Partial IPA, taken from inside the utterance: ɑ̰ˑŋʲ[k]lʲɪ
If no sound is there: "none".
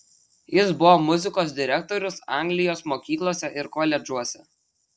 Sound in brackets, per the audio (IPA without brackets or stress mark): ɡ